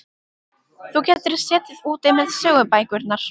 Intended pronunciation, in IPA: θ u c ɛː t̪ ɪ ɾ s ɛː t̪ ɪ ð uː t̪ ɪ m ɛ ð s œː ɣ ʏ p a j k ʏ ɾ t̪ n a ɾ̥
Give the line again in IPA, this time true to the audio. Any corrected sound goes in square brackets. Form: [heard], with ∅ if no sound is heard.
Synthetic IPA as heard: θ u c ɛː t̪ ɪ ɾ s ɛː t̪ ɪ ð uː t̪ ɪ m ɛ ð s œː ɣ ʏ p a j k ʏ ɾ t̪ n a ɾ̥